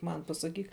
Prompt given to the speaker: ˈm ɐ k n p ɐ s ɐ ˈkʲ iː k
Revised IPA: ˈm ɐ n p ɐ s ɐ ˈkʲ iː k